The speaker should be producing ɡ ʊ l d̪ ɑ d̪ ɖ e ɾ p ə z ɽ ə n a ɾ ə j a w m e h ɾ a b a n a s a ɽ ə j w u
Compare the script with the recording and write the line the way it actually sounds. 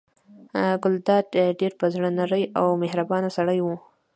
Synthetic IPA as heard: ɡ ʊ l d̪ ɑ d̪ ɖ e ɾ p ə z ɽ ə n a ɾ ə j a w m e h ɾ a b ɑ n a s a ɽ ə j w u